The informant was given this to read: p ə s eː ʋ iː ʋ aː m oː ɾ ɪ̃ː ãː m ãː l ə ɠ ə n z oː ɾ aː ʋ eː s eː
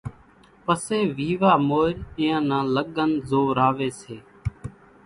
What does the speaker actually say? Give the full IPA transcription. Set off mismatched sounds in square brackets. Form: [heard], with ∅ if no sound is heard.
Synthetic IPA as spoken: p ə s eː ʋ iː ʋ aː m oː ɾ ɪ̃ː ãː [n] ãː l ə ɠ ə n z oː ɾ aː ʋ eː s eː